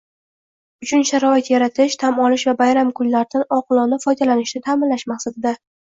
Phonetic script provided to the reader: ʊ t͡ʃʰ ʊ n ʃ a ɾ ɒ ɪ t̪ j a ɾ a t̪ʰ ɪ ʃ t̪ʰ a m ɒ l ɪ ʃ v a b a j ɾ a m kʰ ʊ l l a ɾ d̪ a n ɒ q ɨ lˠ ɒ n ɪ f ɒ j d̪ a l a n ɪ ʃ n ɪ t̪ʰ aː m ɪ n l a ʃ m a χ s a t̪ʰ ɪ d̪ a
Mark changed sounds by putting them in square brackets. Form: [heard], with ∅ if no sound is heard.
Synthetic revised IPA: ʊ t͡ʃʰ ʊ n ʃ a ɾ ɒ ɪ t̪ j a ɾ a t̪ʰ ɪ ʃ t̪ʰ a m ɒ l ɪ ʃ v a b a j ɾ a m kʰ ʊ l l a ɾ d̪ a n ɒ q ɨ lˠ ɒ n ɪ f ɒ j d̪ a l a n ɪ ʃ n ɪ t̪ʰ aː m ɪ n l a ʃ m a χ s a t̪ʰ ɪ d̪ a